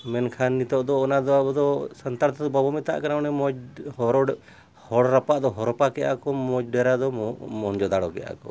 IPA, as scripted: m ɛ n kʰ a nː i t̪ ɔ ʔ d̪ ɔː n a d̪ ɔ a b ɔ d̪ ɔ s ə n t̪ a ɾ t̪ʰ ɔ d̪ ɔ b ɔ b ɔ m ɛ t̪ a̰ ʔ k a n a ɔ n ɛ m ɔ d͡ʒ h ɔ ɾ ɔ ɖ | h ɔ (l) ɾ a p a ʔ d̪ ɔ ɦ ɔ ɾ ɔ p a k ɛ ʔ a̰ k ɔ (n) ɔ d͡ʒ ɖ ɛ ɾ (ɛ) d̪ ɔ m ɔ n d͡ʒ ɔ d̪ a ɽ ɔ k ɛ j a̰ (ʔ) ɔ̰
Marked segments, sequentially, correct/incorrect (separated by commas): incorrect, incorrect, incorrect, incorrect